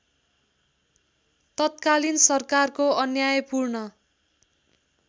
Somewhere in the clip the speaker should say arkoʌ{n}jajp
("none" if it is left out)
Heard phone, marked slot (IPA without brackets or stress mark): n